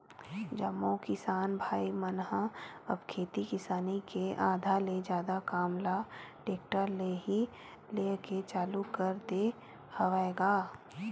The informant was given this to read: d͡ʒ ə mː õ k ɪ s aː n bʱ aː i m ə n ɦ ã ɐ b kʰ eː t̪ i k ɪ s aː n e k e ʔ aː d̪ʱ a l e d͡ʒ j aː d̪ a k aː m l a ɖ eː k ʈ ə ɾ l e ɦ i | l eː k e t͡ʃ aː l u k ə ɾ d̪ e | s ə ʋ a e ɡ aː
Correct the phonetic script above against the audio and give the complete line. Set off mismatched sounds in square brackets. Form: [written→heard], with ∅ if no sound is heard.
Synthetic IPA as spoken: d͡ʒ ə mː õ k ɪ s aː n bʱ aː i m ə n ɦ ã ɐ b kʰ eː t̪ i k ɪ s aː n [e→i] k e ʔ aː d̪ʱ a l e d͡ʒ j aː d̪ a k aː m l a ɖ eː k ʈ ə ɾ l e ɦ i | l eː k e t͡ʃ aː l u k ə ɾ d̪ e | [s→h] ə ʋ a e ɡ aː